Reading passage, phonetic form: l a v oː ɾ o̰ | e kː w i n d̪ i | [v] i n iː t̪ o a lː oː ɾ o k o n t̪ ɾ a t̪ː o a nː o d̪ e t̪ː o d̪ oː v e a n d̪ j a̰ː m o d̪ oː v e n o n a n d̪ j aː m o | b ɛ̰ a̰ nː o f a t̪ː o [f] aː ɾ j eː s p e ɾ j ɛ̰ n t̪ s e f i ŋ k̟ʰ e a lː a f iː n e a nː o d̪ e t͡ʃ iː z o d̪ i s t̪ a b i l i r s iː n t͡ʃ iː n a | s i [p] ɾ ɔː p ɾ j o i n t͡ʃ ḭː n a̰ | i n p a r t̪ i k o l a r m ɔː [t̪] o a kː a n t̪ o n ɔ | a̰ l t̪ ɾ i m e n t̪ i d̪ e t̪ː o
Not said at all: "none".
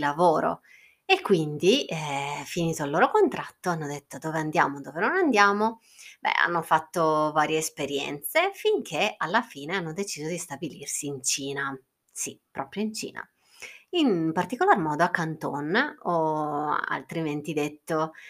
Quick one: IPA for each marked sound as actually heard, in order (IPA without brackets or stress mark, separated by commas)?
f, v, p, d̪